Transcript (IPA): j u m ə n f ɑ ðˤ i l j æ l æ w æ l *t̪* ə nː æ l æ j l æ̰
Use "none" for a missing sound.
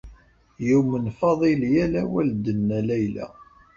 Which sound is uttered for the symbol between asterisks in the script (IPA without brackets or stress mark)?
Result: d̪